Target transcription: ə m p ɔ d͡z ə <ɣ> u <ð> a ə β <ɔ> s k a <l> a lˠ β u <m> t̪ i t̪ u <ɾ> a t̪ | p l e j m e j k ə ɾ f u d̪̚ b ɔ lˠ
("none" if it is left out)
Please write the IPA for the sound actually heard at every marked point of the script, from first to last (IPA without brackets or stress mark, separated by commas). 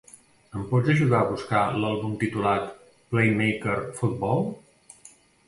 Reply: ʒ, ð, u, l, m, l